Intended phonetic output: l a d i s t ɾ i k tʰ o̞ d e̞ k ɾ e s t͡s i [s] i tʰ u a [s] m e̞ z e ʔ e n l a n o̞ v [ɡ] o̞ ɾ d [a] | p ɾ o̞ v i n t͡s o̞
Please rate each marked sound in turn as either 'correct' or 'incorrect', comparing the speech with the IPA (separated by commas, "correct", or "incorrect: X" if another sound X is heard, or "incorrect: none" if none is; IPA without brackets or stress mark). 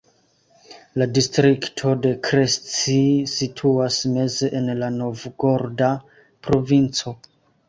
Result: correct, correct, correct, correct